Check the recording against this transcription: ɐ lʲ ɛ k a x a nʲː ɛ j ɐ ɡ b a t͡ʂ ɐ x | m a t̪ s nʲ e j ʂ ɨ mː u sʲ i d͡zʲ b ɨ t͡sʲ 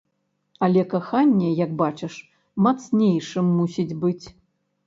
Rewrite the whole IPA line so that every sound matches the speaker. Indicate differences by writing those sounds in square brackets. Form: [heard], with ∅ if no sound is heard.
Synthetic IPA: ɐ lʲ ɛ k a x a nʲː ɛ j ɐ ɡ b a t͡ʂ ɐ [ʂ] | m a t̪ s nʲ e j ʂ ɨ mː u sʲ i d͡zʲ b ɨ t͡sʲ